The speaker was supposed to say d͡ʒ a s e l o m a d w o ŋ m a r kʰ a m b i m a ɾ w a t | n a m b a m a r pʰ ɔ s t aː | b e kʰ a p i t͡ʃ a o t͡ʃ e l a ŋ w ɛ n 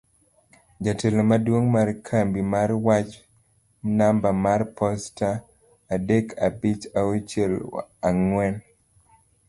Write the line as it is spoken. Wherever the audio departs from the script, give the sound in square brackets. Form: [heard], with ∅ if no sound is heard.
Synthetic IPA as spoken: d͡ʒ a [t] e l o m a d w o ŋ m a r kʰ a m b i m a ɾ w a [t͡ʃ] | n a m b a m a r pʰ ɔ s t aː | [d] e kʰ a [b] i t͡ʃ a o t͡ʃ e l a ŋ w ɛ n